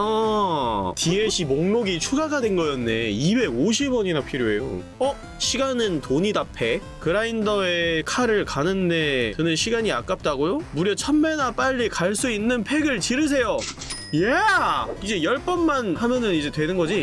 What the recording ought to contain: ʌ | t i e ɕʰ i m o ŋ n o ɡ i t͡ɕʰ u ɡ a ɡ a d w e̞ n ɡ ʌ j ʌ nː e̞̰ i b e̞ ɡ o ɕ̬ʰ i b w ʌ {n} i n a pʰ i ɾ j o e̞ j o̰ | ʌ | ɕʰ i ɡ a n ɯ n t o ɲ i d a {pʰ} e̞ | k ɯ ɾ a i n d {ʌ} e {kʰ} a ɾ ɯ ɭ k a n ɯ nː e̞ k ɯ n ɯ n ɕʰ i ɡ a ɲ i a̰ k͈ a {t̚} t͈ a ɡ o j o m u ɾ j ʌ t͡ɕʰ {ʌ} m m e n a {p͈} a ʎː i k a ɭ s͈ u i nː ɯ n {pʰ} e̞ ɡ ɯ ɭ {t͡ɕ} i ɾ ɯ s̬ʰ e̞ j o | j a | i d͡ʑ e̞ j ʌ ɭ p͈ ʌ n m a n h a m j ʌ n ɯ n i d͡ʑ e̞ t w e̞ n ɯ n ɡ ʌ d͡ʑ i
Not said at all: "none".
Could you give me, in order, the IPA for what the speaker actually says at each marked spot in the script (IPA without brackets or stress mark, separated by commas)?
ɲ, pʰ, ʌ, kʰ, p̚, ʌ, p͈, pʰ, t͡ɕ